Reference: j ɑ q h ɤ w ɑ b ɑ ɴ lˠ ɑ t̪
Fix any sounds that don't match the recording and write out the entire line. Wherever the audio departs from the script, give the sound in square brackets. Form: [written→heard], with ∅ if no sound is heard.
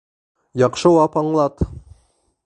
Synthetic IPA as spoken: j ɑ q [h→ʃ] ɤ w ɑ [b→p] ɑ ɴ lˠ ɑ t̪